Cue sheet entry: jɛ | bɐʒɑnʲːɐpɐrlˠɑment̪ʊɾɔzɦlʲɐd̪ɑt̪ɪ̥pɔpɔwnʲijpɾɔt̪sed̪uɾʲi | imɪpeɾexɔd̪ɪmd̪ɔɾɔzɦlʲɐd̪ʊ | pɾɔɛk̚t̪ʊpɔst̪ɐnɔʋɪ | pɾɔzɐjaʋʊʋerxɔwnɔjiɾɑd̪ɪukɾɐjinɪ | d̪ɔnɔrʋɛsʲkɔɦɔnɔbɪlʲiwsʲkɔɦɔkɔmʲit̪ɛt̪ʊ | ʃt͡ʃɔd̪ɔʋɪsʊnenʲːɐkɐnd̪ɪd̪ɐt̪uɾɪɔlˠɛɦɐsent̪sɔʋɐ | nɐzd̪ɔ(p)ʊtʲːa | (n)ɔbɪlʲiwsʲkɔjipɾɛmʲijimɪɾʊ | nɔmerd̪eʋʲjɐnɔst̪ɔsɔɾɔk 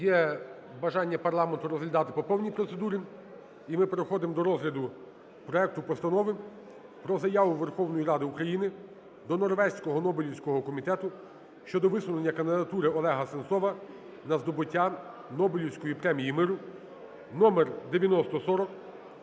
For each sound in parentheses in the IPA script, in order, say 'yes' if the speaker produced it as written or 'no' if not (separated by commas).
no, yes